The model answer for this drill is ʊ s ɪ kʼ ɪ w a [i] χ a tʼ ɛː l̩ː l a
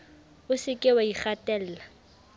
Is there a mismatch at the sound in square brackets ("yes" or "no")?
no